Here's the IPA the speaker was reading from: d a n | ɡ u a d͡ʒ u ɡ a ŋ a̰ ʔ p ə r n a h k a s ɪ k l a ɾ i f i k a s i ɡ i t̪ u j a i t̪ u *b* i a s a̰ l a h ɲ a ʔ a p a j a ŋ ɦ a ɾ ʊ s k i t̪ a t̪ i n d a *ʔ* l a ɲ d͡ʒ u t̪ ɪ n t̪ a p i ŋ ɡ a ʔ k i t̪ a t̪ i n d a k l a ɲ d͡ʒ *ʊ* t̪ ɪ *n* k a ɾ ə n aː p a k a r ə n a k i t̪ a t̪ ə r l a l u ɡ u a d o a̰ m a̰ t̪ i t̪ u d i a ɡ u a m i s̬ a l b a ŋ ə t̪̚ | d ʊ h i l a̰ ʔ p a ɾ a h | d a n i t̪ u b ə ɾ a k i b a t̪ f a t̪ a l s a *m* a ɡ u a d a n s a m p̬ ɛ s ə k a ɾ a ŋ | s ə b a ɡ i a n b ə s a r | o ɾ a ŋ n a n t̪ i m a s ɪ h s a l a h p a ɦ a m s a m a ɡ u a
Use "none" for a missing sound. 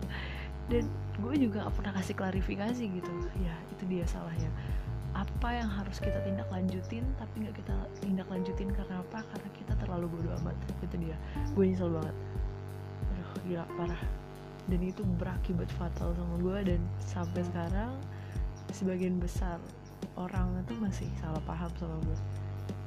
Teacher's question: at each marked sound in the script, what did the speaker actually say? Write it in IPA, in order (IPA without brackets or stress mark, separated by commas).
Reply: d, k, u, n, m